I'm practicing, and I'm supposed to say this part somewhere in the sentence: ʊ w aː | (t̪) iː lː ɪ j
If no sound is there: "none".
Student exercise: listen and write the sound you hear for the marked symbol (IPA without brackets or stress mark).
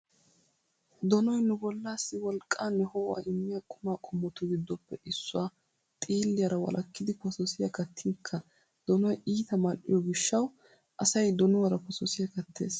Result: t̪ʼ